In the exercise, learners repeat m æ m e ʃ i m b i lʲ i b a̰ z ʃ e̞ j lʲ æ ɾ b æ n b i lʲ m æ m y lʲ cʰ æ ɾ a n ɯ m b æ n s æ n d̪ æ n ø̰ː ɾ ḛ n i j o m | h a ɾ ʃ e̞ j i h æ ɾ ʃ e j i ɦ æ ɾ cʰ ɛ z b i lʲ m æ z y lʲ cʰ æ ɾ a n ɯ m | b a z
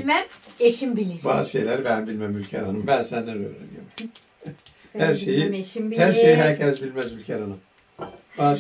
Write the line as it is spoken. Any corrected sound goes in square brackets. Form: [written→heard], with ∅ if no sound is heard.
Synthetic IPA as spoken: m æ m e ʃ i m b i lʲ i b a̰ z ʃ e̞ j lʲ æ ɾ b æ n b i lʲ m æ m y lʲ cʰ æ ɾ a n ɯ m b æ n s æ n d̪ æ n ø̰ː ɾ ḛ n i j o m | h [a→æ] ɾ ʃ e̞ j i h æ ɾ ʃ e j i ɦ æ ɾ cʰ ɛ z b i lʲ m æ z y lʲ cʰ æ ɾ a n ɯ m | b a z